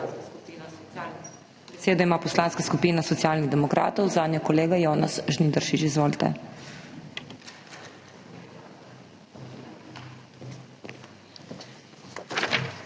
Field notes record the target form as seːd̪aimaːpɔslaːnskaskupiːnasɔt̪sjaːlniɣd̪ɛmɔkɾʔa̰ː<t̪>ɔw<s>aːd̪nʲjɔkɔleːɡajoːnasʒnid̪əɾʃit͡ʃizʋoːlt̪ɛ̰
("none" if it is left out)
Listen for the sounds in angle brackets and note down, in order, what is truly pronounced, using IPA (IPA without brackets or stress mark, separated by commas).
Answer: t̪, z